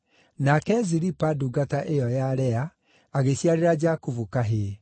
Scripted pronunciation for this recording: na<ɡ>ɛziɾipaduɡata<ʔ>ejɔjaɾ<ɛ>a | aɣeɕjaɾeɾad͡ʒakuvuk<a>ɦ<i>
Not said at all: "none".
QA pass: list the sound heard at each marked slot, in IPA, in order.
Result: k, ʔ, ɛ, a, e

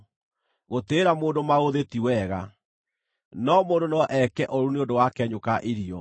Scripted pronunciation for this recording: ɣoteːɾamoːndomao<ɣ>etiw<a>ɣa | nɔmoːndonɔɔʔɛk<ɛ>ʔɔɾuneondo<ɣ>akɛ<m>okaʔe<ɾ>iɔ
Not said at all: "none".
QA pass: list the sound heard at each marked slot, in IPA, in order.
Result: ð, ɛ, ɛ, w, ɲ, ɾ

